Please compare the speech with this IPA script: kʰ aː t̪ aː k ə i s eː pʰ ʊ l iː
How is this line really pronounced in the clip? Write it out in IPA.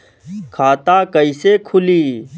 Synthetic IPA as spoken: kʰ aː t̪ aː k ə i s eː kʰ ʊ l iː